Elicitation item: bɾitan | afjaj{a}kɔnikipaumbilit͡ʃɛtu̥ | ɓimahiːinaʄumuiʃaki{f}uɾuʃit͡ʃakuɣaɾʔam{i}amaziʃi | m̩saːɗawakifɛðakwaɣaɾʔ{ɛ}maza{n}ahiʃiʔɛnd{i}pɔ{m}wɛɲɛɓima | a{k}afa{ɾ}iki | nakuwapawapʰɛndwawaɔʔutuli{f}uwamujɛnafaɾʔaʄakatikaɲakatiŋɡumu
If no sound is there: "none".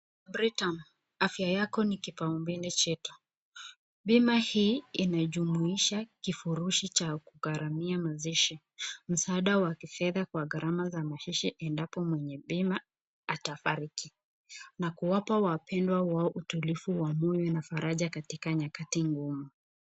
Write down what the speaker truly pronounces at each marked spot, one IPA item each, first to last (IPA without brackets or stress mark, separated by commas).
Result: a, f, i, a, m, a, m, t, ɾ, f